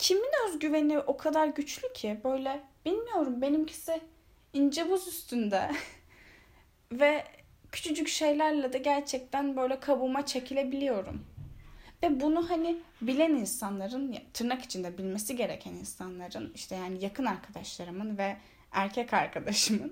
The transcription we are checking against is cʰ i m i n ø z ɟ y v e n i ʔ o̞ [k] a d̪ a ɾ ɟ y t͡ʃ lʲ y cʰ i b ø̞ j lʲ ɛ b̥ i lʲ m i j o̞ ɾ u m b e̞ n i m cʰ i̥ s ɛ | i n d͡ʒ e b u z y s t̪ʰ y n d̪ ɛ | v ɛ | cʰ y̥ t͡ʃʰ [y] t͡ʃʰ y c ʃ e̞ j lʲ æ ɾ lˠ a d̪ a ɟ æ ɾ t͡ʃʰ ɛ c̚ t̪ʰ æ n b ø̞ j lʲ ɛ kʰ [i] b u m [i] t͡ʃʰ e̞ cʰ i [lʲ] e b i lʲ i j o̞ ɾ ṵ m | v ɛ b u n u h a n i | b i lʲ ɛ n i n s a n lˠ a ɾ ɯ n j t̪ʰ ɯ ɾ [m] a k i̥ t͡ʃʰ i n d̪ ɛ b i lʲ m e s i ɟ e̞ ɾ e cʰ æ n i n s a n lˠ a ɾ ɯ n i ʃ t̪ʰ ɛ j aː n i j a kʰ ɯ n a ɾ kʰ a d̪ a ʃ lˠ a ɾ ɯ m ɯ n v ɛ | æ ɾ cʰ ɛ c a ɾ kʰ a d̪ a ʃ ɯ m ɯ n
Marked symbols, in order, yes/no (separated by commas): no, yes, no, no, yes, no